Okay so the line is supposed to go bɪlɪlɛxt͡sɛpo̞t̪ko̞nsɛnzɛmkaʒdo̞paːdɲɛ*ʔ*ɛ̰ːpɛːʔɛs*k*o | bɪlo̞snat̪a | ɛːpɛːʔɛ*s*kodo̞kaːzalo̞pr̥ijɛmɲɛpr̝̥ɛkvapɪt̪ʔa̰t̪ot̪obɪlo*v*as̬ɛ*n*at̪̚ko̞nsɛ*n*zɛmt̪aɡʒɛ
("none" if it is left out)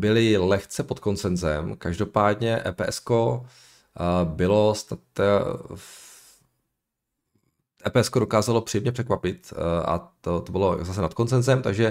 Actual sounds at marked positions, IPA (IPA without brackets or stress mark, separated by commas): ʔ, k, s, z, n, n